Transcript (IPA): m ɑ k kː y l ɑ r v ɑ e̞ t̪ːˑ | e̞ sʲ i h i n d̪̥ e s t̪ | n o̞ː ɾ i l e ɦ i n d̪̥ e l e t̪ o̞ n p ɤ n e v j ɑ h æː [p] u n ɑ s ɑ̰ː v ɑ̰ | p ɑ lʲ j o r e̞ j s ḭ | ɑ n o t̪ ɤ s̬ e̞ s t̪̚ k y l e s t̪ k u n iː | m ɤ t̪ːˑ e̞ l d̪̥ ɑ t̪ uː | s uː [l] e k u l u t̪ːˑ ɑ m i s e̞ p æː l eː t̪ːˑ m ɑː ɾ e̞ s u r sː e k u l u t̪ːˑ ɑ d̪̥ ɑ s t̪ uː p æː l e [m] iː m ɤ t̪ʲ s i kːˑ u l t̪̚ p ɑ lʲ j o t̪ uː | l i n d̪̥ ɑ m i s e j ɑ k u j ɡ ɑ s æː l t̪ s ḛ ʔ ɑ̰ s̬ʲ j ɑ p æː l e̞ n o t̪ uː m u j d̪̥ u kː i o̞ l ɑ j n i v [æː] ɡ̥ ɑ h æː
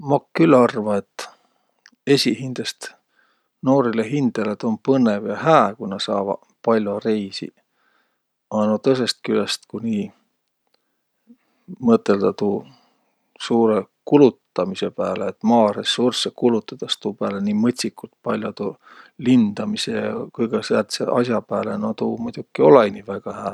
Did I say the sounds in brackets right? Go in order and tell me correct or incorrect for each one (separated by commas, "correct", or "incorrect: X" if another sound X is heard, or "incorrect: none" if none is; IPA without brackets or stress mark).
incorrect: k, incorrect: ɾ, incorrect: n, incorrect: æ